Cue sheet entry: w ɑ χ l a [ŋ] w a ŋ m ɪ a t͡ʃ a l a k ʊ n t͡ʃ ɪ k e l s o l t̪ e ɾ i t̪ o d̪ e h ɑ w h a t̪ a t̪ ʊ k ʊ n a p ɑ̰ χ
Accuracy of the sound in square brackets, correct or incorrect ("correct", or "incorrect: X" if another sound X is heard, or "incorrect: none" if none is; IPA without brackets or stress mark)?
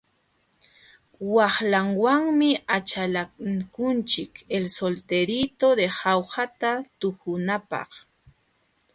correct